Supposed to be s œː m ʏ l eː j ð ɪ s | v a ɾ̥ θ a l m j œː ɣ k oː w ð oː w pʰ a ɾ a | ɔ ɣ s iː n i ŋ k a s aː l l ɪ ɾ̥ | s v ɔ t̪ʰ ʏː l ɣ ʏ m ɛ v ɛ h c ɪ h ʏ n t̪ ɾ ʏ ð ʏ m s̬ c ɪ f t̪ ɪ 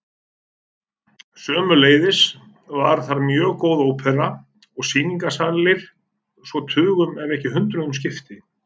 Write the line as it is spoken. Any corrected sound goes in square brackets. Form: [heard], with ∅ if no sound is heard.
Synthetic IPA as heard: s œː m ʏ l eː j ð ɪ s | v a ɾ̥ θ a [ɾ] m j œː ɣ k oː w ð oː w pʰ [ɛ] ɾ a | ɔ ɣ s iː n i ŋ k a s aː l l ɪ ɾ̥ | s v ɔ t̪ʰ ʏː [∅] ɣ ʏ m ɛ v ɛ h c ɪ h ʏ n t̪ ɾ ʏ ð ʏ m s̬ c ɪ f t̪ ɪ